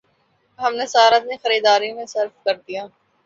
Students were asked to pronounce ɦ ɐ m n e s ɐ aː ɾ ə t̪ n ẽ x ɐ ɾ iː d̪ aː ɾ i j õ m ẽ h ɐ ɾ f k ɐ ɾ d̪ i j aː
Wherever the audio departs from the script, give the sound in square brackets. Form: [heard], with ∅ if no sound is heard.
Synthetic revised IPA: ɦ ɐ m n e s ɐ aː ɾ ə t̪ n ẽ x ɐ ɾ iː d̪ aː ɾ i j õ m ẽ [s] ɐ ɾ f k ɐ ɾ d̪ i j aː